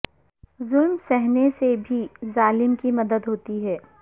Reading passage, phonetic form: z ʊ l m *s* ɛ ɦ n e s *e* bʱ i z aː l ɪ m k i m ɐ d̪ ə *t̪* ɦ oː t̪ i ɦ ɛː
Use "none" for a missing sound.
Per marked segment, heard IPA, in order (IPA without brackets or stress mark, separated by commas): s, e, d̪